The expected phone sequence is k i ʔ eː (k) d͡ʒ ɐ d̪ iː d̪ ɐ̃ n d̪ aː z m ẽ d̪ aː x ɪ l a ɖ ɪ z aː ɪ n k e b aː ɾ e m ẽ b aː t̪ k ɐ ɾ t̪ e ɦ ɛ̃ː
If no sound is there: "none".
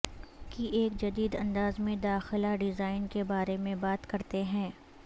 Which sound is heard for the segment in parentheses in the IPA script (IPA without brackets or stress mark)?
k